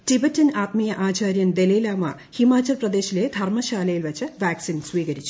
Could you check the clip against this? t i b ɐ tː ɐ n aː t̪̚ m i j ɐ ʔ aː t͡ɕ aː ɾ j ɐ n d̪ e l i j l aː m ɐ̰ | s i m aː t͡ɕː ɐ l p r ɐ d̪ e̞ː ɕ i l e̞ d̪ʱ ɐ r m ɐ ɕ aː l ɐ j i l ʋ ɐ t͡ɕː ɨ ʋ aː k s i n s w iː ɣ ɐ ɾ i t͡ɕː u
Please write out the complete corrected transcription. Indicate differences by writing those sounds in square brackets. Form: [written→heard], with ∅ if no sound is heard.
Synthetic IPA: t i b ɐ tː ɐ n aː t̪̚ m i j ɐ ʔ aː t͡ɕ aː ɾ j ɐ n d̪ e l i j l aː m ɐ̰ | [s→h] i m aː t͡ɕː ɐ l p r ɐ d̪ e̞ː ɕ i l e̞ d̪ʱ ɐ r m ɐ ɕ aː l ɐ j i l ʋ ɐ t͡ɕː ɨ ʋ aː k s i n s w iː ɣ ɐ ɾ i t͡ɕː u